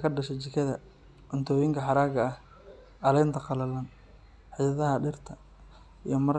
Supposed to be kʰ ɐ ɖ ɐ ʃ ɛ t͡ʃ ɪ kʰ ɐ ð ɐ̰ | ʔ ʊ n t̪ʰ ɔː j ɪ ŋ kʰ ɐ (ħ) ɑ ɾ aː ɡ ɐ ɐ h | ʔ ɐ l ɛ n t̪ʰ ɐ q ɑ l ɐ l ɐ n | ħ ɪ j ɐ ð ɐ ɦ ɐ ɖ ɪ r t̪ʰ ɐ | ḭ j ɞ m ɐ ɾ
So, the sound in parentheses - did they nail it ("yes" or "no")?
yes